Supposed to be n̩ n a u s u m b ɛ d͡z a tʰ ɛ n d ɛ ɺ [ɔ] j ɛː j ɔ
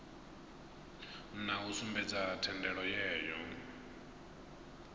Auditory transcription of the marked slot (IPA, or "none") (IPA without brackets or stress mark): ɔ